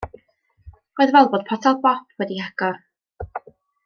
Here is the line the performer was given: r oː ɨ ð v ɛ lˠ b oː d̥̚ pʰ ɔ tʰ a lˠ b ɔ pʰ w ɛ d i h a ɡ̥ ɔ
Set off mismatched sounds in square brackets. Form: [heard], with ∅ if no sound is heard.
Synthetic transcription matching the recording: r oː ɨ ð v ɛ lˠ b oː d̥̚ pʰ ɔ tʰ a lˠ b ɔ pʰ w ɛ d i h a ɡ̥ ɔ